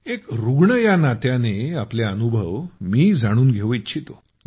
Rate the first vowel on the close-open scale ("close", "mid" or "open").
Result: mid